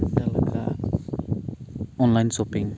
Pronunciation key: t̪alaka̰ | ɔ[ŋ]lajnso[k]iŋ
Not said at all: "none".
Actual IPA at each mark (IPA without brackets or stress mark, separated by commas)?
n, p